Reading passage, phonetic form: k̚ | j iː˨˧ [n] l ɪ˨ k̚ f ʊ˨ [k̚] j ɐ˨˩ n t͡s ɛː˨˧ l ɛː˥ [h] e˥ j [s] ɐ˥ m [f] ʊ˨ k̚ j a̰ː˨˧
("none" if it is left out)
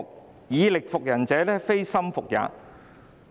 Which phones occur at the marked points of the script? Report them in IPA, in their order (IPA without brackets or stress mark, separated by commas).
none, k̚, f, s, f